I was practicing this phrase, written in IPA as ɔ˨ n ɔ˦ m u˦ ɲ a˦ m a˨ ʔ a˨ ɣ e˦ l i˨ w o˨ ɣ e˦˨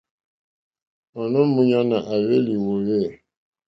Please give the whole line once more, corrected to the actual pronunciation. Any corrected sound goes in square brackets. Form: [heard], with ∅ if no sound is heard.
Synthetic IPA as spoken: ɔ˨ n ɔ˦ m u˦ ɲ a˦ [n] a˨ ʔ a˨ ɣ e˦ l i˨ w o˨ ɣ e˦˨